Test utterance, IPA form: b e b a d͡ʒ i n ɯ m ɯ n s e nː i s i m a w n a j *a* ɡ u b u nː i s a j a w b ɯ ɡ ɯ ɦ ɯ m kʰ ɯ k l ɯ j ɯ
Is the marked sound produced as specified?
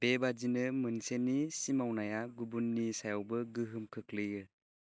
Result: yes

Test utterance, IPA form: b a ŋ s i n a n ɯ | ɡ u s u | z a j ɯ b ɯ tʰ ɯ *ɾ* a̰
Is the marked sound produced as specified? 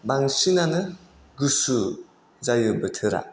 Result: yes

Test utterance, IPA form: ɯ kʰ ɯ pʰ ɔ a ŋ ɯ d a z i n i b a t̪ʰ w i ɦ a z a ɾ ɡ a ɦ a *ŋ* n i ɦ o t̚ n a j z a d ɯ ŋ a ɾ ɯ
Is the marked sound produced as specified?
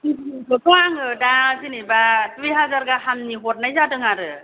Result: no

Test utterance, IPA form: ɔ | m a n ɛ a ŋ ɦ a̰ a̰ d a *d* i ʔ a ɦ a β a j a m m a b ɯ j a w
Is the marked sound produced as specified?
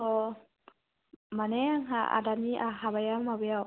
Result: no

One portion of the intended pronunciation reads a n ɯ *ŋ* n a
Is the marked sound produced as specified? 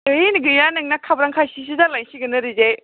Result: yes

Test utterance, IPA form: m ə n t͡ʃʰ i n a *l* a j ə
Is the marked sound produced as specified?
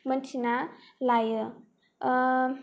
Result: yes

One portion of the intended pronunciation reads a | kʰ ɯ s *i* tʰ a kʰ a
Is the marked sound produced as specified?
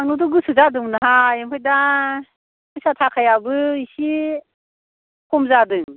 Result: no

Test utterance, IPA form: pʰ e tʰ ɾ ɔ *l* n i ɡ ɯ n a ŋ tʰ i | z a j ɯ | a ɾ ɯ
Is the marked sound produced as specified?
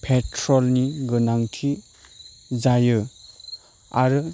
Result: yes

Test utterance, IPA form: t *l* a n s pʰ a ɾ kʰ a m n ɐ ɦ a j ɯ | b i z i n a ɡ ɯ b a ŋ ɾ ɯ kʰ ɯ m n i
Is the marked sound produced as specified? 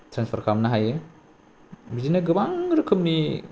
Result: no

